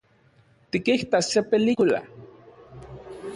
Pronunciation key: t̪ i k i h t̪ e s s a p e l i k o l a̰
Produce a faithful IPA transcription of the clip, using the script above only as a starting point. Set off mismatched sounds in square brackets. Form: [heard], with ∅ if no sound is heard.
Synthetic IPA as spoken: t̪ i k i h t̪ [a] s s [e] p e l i k [u] l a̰